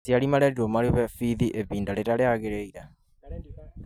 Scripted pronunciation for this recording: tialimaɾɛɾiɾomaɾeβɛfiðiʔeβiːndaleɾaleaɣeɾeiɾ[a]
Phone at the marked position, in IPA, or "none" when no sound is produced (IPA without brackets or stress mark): a